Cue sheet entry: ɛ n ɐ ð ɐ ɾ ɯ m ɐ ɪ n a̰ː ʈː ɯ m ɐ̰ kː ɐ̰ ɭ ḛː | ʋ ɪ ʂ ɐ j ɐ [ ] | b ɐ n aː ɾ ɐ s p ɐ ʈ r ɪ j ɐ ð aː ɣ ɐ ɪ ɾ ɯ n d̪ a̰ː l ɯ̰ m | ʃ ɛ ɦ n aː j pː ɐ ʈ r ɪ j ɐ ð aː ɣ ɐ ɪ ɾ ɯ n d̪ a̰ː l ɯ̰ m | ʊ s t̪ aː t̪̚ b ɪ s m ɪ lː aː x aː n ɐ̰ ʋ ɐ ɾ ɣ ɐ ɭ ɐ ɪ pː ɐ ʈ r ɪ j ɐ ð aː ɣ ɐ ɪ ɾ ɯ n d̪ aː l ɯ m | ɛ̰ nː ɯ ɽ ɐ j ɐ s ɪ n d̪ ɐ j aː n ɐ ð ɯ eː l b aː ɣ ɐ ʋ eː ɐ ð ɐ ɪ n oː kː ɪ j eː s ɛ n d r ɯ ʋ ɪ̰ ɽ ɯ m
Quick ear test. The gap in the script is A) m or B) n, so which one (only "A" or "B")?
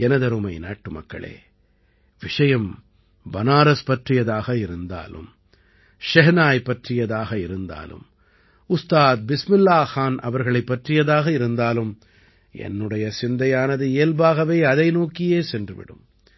A